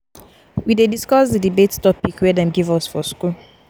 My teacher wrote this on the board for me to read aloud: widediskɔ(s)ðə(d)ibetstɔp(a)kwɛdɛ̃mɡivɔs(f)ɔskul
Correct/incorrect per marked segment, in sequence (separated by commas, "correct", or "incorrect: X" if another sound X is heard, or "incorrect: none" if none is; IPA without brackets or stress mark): correct, correct, incorrect: i, correct